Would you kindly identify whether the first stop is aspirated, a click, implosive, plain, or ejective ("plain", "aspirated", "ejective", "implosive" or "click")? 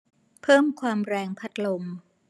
aspirated